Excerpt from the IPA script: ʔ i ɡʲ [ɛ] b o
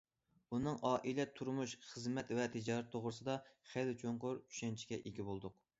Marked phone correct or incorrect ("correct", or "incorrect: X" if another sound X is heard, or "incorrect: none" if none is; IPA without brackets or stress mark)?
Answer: incorrect: i